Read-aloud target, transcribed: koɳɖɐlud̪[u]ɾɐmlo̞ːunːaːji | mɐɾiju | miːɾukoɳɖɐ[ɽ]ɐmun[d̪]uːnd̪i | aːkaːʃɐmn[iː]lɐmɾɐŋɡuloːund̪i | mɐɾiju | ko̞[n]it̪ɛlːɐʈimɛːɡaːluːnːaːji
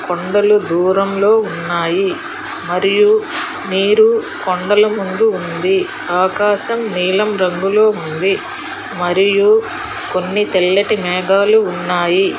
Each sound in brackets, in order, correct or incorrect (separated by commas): incorrect, incorrect, correct, correct, incorrect